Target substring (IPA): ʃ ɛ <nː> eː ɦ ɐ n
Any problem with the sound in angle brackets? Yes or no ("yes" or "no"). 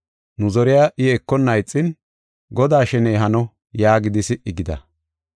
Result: yes